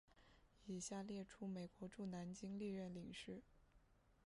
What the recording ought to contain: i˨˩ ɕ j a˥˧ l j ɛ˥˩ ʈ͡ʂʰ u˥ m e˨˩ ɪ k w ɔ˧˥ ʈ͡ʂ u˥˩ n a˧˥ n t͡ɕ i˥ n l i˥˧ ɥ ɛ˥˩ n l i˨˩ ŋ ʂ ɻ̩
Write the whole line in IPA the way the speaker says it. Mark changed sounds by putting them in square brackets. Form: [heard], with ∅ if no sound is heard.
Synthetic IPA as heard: i˨˩ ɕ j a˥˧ l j ɛ˥˩ ʈ͡ʂʰ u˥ m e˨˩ ɪ k w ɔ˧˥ ʈ͡ʂ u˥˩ n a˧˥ n t͡ɕ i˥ [ŋ] l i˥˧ ɥ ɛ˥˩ n l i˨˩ ŋ ʂ ɻ̩